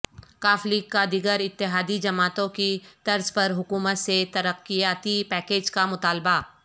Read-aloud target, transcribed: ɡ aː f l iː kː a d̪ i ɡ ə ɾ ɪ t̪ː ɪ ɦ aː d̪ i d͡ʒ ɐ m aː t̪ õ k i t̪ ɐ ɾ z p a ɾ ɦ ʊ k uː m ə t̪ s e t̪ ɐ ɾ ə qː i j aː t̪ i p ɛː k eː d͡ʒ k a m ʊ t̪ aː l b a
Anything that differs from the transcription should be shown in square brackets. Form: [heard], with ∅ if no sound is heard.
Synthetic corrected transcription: [k] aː f l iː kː a d̪ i ɡ ə ɾ ɪ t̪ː ɪ ɦ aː d̪ i d͡ʒ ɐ m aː t̪ õ k i t̪ ɐ ɾ z p [ɐ] ɾ ɦ ʊ k uː m ə t̪ s e t̪ ɐ ɾ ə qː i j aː t̪ i p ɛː k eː d͡ʒ k a m ʊ t̪ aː l b a